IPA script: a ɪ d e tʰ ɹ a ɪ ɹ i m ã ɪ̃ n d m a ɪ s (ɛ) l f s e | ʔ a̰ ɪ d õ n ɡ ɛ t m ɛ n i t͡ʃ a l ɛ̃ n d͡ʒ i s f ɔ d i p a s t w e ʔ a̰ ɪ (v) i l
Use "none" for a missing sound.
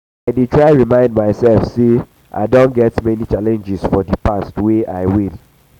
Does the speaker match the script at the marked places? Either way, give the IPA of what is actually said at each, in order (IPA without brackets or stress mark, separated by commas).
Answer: ɛ, w